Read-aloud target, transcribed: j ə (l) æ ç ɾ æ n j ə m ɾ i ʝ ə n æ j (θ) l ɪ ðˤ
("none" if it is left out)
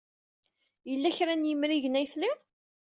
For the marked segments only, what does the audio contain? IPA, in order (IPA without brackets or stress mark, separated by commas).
lː, θ